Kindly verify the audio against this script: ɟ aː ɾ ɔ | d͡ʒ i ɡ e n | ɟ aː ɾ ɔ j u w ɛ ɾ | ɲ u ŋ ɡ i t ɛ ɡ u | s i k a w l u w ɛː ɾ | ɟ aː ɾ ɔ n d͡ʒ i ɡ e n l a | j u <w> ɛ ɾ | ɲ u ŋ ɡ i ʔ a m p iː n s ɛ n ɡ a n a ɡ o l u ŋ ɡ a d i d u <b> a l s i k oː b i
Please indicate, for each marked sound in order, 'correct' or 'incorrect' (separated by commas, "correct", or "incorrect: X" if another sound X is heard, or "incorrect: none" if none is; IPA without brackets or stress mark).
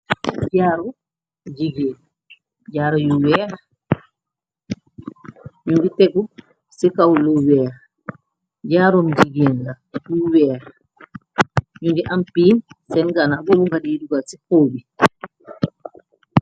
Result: correct, incorrect: ɡ